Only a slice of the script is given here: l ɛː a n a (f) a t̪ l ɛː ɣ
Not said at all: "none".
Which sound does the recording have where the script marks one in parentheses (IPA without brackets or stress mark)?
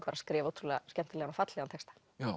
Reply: f